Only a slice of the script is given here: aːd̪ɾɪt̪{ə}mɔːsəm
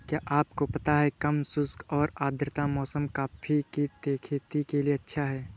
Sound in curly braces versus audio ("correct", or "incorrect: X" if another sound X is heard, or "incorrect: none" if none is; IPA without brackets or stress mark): incorrect: a